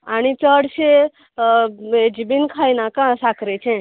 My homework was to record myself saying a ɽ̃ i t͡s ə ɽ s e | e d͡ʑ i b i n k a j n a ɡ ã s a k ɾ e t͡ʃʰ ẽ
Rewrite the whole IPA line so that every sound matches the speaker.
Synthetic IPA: a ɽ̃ i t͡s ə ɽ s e | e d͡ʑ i b i n kʰ a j n a k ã s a k ɾ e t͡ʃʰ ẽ